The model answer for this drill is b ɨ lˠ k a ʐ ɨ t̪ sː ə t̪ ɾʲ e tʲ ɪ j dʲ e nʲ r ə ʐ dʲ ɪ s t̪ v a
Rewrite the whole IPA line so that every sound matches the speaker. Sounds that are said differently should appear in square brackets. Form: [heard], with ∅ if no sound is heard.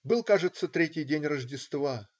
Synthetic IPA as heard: b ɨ lˠ k a ʐ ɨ t̪ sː ə t̪ ɾʲ e tʲ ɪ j dʲ e nʲ r ə ʐ dʲ ɪ s t̪ v a